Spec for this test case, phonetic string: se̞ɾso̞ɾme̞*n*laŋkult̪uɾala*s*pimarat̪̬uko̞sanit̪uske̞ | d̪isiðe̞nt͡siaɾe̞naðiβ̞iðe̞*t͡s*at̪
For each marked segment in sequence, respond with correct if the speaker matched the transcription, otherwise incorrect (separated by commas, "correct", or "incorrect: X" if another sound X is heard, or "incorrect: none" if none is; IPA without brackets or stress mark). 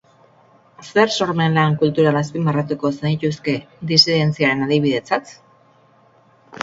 correct, correct, correct